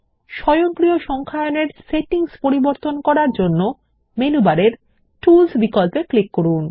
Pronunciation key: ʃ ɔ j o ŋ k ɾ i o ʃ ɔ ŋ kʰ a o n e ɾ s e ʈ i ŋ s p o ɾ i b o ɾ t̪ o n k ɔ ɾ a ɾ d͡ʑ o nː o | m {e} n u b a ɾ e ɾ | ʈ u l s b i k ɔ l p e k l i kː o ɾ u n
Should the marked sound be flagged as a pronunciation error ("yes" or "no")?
no